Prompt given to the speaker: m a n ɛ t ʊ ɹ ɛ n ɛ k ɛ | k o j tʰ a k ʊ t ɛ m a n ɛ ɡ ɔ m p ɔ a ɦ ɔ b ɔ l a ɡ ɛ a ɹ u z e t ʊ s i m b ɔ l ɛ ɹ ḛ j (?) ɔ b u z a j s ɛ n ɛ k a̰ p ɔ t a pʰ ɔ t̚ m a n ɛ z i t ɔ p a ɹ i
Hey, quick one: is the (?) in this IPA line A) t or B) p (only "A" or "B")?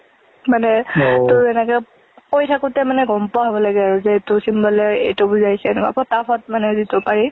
A